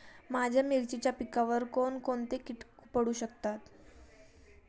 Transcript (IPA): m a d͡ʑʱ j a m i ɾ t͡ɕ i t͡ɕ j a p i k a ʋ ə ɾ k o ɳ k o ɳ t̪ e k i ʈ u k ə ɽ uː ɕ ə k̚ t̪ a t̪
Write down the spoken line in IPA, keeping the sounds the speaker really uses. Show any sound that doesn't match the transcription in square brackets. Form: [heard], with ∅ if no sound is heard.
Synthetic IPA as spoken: m a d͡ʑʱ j a m i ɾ t͡ɕ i t͡ɕ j a p i k a ʋ ə ɾ k o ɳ k o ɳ t̪ e k i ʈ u [p] ə ɽ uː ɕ ə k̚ t̪ a t̪